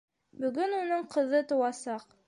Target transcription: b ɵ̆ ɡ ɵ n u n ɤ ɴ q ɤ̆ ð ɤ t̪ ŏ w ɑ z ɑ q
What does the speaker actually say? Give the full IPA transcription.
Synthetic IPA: b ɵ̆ ɡ ɵ n u n ɤ ɴ q ɤ̆ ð ɤ t̪ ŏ w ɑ s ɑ q